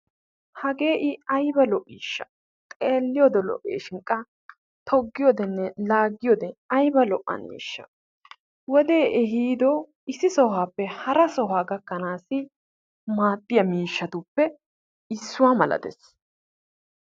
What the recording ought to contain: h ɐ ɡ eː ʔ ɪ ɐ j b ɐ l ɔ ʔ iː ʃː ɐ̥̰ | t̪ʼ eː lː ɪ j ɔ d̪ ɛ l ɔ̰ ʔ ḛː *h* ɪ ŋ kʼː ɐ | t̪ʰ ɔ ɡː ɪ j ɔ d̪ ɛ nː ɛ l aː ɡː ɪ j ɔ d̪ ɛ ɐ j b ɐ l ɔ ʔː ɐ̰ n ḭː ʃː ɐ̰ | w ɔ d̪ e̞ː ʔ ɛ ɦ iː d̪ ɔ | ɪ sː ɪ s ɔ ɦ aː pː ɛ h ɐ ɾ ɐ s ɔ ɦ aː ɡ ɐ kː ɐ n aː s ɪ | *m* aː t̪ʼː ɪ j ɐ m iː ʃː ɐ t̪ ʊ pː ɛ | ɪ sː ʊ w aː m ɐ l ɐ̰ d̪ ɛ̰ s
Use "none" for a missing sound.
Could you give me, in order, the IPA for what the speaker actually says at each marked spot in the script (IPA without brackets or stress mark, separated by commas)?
ʃ, m